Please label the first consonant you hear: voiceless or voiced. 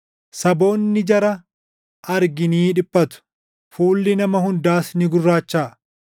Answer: voiceless